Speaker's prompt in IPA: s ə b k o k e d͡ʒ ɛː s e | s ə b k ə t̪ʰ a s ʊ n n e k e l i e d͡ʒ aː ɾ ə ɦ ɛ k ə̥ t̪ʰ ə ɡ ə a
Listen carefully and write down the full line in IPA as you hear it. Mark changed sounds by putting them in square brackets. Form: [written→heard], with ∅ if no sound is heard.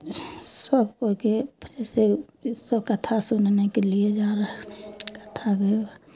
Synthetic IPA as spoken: s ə b k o k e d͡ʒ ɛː s e | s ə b k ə t̪ʰ a s ʊ n n e k e l i e d͡ʒ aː ɾ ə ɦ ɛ k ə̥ t̪ʰ [ə→a] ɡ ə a